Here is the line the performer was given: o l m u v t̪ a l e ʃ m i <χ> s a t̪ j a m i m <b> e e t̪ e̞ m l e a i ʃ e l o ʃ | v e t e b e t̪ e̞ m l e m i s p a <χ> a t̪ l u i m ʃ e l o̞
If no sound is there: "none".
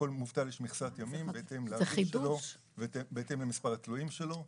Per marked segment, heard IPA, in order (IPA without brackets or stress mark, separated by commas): χ, b, ʁ